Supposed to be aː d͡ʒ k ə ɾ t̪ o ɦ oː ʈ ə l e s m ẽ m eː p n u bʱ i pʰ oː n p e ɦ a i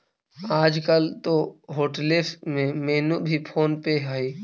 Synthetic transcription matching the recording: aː d͡ʒ k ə l t̪ o ɦ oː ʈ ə l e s m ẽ m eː n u bʱ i pʰ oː n p e ɦ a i